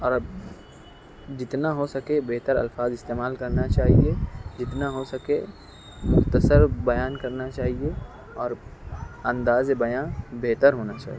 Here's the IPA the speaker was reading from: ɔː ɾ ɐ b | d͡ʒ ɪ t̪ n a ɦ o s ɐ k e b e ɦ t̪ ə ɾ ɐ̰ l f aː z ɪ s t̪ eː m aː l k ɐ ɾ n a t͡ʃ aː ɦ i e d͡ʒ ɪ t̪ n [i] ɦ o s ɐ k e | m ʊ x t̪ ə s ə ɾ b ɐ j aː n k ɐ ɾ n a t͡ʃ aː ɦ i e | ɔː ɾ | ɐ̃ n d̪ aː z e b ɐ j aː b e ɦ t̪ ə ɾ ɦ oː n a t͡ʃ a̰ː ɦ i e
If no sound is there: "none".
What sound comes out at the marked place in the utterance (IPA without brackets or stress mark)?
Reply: a